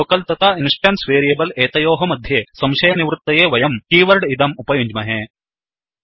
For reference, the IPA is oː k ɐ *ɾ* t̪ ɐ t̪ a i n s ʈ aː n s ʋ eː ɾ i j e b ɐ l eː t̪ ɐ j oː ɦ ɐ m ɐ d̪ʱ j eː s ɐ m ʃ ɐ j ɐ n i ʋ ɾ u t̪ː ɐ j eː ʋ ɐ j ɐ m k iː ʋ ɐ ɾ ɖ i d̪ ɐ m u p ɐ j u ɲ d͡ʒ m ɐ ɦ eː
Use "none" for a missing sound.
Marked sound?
l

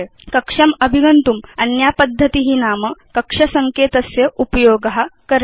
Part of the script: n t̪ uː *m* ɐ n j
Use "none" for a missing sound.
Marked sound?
m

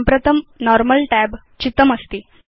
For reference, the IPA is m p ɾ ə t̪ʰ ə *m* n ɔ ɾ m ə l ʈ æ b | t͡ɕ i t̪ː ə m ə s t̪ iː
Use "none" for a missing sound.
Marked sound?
m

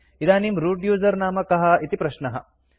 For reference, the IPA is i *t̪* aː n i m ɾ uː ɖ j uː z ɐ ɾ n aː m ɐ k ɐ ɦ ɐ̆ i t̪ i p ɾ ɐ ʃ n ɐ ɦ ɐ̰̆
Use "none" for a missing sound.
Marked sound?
d̪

